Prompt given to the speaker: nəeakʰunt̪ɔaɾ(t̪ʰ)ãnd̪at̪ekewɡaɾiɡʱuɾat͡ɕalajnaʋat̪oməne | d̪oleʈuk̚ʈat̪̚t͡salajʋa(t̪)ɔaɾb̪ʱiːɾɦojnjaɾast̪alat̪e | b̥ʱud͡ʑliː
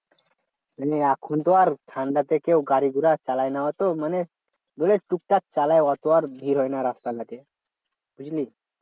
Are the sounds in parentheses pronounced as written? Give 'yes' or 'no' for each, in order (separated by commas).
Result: yes, yes